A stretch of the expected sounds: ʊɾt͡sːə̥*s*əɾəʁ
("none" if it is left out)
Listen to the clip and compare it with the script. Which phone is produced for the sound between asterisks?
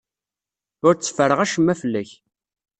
f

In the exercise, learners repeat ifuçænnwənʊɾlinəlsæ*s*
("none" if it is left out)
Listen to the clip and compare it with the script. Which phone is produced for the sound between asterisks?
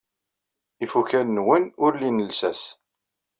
s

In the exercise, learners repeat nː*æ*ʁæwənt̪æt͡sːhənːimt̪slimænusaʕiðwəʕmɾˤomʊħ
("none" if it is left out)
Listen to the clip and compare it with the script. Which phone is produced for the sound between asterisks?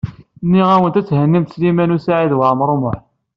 i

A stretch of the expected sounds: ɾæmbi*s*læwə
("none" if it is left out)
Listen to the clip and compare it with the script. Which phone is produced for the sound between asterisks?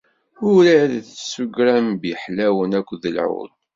ħ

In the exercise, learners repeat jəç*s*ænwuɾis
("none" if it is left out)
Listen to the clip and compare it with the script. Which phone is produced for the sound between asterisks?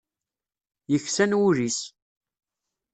s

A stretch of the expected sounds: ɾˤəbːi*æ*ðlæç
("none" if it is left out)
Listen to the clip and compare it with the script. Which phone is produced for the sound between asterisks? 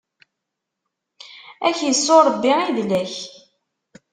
i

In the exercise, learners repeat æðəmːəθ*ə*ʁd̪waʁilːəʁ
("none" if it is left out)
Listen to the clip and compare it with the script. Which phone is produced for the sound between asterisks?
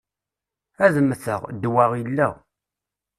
ə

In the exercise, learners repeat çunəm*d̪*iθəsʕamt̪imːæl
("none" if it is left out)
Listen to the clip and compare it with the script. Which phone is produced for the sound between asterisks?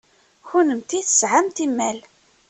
t̪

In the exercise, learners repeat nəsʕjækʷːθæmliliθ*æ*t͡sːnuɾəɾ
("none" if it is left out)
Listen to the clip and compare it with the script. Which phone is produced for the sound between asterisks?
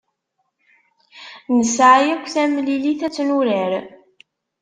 æ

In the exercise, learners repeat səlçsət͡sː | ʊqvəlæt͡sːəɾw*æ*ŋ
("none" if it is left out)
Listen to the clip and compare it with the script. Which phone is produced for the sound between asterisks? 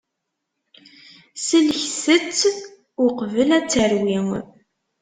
i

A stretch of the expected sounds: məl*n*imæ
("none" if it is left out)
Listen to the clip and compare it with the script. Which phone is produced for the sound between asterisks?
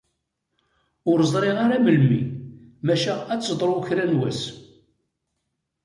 m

